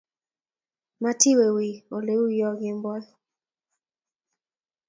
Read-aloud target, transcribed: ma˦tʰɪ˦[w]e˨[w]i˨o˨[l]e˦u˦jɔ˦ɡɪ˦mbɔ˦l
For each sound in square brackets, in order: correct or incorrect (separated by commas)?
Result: correct, correct, correct